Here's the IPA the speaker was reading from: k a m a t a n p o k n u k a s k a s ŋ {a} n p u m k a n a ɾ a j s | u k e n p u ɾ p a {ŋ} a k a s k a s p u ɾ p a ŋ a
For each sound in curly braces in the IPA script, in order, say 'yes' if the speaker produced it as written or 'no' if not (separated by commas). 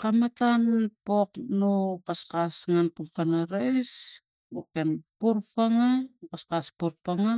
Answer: yes, yes